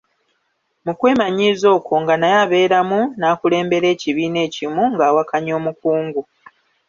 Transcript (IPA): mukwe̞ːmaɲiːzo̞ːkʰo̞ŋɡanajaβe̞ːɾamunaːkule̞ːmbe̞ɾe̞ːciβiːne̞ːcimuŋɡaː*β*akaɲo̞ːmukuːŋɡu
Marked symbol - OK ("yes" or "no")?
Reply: no